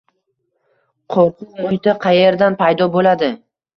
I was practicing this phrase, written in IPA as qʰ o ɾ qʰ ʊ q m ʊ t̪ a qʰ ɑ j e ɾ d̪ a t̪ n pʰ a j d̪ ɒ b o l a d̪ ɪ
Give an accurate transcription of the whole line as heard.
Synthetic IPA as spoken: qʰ o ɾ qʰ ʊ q m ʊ t̪ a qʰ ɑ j e ɾ d̪ a n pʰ a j d̪ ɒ b o l a d̪ ɪ

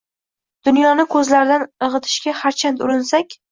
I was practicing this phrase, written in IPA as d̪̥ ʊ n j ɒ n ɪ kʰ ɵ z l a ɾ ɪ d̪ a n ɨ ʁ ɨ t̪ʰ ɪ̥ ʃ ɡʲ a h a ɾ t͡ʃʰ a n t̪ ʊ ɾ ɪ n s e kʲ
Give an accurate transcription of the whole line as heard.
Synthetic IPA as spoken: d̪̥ ʊ n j ɒ n ɪ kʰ ɵ z l a ɾ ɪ d̪ a n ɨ ʁ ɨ t̪ʰ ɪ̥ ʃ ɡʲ a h a ɾ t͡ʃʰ a n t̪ ʊ ɾ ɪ n s a kʲ

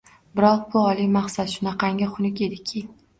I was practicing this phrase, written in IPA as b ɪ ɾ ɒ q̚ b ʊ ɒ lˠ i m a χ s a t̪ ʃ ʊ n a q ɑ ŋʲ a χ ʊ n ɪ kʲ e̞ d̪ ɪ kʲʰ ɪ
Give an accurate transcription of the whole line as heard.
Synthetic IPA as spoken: b ɪ ɾ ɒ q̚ b ʊ ɒ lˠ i m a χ s a t̪ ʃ ʊ n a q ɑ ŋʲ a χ ʊ n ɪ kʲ e̞ d̪ ɪ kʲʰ ɪ

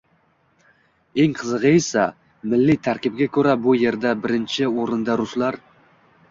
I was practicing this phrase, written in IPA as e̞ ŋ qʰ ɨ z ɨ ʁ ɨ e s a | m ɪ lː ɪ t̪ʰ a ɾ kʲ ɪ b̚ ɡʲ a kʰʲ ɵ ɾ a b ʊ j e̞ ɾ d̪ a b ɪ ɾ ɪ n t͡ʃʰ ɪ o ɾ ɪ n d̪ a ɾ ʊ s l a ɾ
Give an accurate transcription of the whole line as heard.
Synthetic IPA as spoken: e̞ ŋ qʰ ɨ z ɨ ʁ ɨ e s a | m ɪ lː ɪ t̪ʰ a ɾ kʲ ɪ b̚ ɡʲ a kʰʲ ɵ ɾ a b ʊ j e̞ ɾ d̪ a b ɪ ɾ ɪ n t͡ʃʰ ɪ o ɾ ɪ n d̪ a ɾ ʊ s l a ɾ

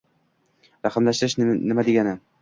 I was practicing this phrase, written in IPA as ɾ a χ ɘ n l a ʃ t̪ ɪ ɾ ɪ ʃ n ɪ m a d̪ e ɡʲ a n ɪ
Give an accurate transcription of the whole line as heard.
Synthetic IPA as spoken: ɾ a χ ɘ m l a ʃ t̪ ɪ ɾ ɪ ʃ n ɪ m a d̪ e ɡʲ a n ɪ

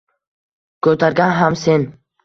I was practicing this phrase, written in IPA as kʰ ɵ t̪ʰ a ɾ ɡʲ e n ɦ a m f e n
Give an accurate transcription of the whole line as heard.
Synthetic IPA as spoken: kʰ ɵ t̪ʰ a ɾ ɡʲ a n ɦ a m s e n

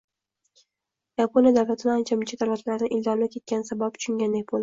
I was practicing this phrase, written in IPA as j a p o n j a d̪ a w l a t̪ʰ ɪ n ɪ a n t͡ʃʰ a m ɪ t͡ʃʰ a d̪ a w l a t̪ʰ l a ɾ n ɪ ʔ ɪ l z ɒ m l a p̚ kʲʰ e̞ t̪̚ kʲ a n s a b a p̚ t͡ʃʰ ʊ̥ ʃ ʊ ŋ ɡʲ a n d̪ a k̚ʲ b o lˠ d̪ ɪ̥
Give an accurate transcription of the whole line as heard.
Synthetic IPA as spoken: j a p o n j a d̪ a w l a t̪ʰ ɪ n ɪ a n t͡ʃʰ a m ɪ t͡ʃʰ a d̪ a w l a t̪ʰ l a ɾ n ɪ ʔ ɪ l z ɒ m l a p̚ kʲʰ e̞ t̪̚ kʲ a n s a b a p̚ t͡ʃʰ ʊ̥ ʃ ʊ ŋ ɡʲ a n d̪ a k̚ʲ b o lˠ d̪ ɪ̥

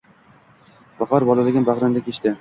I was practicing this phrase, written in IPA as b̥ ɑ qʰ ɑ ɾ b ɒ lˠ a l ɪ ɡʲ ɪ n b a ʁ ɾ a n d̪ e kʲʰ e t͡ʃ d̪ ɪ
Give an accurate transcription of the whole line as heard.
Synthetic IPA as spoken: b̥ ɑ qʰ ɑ ɾ b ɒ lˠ a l ɪ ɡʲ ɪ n b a ʁ ɾ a n d̪ a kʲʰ e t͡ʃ t̪ ɪ

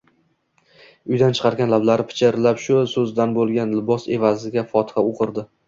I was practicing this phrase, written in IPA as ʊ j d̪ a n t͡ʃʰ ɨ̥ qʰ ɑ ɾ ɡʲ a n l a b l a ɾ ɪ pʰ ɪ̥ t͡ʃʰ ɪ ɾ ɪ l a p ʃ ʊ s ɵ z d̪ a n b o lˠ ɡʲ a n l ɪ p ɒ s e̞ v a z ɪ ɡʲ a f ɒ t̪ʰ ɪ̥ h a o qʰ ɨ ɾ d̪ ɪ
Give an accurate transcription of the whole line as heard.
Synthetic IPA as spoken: ʊ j d̪ a n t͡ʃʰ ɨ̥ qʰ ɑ ɾ ɡʲ a n l a b l a ɾ ɪ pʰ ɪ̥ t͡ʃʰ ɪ ɾ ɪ l a p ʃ ʊ s ɵ z d̪ a n b o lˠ ɡʲ a n l ɪ b ɒ s e̞ v a z ɪ ɡʲ a f ɒ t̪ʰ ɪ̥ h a o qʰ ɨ ɾ d̪ ɪ

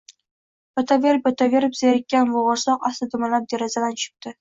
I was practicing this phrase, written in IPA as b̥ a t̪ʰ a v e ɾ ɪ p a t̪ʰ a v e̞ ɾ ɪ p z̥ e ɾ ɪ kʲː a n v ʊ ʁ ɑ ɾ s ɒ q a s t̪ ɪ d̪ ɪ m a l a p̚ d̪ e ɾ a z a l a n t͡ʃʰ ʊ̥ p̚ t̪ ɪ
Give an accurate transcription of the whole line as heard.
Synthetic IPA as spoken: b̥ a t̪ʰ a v e ɾ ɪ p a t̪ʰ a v e̞ ɾ ɪ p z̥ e ɾ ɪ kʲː a n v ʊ ʁ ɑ ɾ s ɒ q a s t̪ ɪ d̪ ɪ m a l a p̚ d̪ e ɾ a z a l a n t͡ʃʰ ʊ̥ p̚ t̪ ɪ

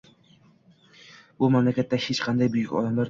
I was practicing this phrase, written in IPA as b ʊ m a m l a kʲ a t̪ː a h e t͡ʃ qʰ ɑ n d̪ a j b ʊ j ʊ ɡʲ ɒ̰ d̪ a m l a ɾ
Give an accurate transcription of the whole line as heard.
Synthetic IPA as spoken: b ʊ m a m l a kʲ a t̪ː a h e t͡ʃ qʰ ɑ n d̪ a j b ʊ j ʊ kʲ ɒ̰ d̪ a m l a ɾ

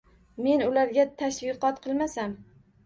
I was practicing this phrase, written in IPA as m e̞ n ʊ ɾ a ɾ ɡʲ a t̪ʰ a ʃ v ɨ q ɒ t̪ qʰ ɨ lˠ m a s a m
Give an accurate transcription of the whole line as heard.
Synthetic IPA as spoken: m e̞ n ʊ l a ɾ ɡʲ a t̪ʰ a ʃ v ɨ q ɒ t̪ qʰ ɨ lˠ m a s a m

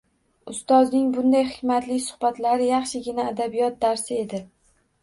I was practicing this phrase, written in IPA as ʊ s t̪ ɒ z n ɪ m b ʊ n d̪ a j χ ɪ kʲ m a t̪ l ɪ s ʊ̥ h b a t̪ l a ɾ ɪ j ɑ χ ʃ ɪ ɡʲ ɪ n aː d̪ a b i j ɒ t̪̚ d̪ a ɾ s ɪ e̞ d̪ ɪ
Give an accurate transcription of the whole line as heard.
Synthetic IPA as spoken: ʊ s t̪ ɒ z n ɪ ŋ b ʊ n d̪ a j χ ɪ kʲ m a t̪ l ɪ s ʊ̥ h b a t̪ l a ɾ ɪ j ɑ χ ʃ ɪ ɡʲ ɪ n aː d̪ a b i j ɒ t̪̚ d̪ a ɾ s ɪ e̞ d̪ ɪ

